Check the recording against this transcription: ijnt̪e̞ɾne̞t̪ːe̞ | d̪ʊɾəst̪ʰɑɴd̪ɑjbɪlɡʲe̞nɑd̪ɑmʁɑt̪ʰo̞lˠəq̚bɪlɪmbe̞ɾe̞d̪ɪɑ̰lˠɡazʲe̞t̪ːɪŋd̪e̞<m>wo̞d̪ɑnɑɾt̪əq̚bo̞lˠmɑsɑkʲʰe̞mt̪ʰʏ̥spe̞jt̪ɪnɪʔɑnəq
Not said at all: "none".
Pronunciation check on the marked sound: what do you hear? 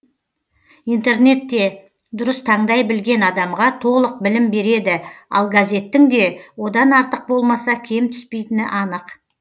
none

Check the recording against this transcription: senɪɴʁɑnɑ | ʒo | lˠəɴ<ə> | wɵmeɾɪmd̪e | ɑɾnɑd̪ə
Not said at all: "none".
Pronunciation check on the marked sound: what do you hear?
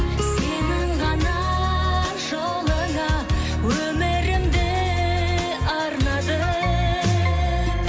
ɑ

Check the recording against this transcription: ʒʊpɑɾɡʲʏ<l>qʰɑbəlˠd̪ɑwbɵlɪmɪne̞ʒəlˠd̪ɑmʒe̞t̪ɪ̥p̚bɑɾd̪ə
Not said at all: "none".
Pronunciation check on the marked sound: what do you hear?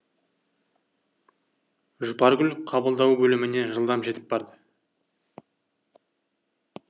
l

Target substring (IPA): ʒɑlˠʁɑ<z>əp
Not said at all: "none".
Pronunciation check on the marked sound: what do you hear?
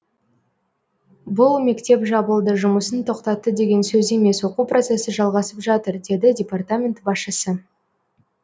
s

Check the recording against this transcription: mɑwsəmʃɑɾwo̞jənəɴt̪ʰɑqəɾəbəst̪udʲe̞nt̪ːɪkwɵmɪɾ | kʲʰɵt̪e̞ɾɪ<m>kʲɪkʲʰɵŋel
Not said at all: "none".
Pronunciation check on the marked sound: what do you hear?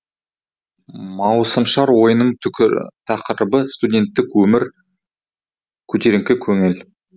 ŋ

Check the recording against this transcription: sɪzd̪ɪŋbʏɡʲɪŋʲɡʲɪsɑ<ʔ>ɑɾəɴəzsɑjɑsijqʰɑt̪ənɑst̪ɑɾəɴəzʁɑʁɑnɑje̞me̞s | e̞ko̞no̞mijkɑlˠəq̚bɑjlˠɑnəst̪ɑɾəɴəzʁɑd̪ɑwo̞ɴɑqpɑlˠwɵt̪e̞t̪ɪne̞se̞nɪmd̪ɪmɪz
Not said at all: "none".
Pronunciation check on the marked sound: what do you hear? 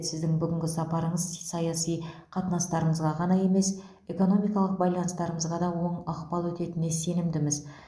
p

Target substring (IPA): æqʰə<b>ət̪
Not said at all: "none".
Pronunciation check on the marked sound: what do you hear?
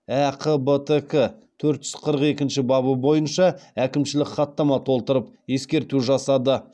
b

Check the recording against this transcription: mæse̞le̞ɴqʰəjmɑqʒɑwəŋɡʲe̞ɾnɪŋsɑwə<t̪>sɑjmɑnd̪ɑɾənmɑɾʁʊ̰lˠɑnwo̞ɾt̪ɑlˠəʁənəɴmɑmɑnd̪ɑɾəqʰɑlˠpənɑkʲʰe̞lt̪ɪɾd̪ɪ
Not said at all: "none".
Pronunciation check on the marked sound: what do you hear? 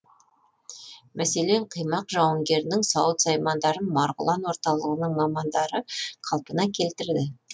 t̪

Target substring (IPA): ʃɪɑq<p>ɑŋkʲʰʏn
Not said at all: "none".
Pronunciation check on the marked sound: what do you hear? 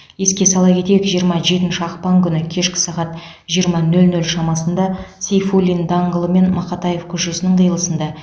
p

